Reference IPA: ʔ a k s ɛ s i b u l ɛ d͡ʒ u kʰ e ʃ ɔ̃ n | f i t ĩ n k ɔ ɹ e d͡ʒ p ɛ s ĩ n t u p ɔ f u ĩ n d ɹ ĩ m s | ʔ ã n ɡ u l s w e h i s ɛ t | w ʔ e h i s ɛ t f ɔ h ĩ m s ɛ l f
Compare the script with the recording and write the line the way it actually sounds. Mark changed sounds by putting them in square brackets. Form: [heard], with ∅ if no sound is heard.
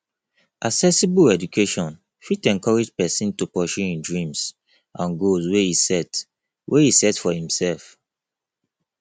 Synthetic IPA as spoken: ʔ a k s ɛ s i b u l ɛ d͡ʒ u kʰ e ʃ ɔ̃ n | f i t [ɛ̃] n k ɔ ɹ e d͡ʒ p ɛ s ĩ n t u p ɔ [ʃ] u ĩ n d ɹ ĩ m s | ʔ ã n ɡ [o] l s w e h i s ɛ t | w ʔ e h i s ɛ t f ɔ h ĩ m s ɛ l f

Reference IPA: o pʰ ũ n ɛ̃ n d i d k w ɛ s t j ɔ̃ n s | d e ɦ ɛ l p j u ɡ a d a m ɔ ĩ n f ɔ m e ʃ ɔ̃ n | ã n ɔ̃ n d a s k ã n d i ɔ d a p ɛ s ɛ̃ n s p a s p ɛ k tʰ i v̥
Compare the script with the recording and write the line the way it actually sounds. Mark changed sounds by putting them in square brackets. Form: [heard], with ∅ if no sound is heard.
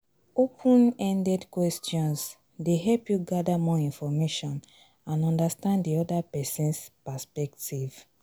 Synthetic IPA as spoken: o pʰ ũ n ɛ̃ n d [ɛ] d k w ɛ s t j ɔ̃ n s | d e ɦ ɛ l p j u ɡ a d a m ɔ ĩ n f ɔ m e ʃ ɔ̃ n | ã n ɔ̃ n d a s [t] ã n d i ɔ d a p ɛ s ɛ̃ n s p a s p ɛ k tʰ i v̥

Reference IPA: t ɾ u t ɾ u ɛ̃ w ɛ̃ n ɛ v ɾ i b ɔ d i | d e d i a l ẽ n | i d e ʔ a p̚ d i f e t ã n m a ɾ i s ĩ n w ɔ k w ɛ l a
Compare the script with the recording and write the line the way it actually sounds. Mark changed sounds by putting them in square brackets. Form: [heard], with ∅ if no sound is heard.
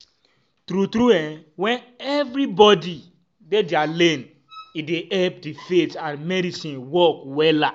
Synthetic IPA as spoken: t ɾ u t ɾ u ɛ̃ w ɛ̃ n ɛ v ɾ i b ɔ d i | d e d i a l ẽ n | i d e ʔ [ɛ] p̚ d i f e t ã n m [ɛ] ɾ i s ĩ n w ɔ k w ɛ l a

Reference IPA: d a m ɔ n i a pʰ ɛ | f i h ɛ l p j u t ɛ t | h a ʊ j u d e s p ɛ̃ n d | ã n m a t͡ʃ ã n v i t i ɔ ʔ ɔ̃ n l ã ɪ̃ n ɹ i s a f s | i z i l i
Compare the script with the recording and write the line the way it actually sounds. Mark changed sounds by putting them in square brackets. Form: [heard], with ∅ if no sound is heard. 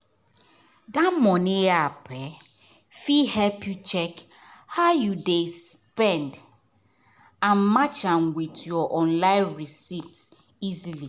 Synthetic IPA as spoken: d a m ɔ n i a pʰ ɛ | f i h ɛ l p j u [t͡ʃ] ɛ [k] | h a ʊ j u d e s p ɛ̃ n d | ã n m a t͡ʃ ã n [w] i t [j] ɔ ʔ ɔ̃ n l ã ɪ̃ n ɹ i s [i] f s | i z i l i

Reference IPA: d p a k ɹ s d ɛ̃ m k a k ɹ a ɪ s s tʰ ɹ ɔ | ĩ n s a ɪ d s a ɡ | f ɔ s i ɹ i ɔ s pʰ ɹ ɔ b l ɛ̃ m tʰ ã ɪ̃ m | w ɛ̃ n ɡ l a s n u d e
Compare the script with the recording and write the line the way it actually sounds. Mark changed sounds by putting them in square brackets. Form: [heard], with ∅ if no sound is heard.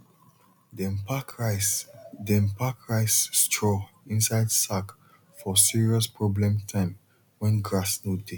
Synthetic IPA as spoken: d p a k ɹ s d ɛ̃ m [p] a k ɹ a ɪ s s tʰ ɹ ɔ | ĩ n s a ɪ d s a [k] | f ɔ s i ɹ i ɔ s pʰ ɹ ɔ b l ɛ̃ m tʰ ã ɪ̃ m | w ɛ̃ n ɡ [ɹ] a s n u d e

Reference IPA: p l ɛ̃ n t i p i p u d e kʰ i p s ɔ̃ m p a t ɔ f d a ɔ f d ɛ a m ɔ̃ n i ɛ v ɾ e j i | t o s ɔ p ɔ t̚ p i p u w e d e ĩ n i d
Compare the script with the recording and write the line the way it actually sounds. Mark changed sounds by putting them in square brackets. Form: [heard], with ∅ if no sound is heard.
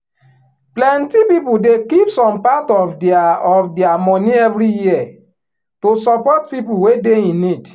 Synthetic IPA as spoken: p l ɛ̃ n t i p i p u d e [k] i p s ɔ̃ m p a t ɔ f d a ɔ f d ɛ a m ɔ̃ n i ɛ v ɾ [i] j i | t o s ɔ p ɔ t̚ p i p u w e d e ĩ n i d

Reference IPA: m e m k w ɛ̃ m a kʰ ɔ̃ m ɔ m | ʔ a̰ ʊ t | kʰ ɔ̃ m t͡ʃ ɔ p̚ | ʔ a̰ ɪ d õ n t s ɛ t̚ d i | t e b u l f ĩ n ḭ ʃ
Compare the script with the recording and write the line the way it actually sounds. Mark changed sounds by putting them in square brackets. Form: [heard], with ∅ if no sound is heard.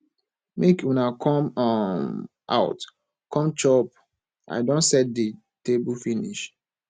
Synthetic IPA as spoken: m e [∅] k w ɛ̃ [n] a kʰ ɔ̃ m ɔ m | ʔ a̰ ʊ t | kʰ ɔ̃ m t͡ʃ ɔ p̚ | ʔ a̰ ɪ d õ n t s ɛ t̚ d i | t e b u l f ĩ n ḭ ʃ

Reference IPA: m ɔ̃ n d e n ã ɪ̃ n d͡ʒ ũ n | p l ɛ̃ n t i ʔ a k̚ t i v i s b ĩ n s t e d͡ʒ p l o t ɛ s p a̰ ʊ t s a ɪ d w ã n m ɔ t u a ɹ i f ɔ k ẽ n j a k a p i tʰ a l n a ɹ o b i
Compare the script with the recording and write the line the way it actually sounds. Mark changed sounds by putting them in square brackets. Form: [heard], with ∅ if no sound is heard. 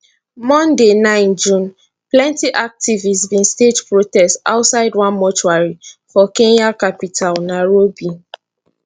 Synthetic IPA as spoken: m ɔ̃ n d e n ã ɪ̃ n d͡ʒ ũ n | p l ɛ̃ n t i ʔ a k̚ t i v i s b ĩ n s t e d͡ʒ p [ɹ] o t ɛ s [t] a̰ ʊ t s a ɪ d w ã n m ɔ [t͡ʃ] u a ɹ i f ɔ k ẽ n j a k a p i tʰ a l n a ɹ o b i

